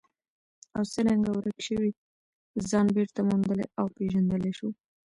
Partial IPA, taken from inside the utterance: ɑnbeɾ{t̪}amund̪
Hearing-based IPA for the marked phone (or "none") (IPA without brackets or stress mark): t̪